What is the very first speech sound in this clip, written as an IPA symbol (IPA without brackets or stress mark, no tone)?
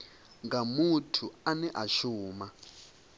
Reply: ŋ